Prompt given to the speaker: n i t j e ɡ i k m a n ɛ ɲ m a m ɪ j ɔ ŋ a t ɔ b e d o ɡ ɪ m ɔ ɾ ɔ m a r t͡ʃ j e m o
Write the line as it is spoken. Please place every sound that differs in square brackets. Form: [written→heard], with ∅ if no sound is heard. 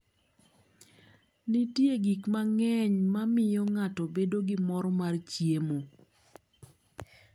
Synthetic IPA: n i t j e ɡ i k m a [n→ŋ] ɛ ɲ m a m ɪ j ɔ ŋ a t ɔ b e d o ɡ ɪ m ɔ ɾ ɔ m a r t͡ʃ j e m o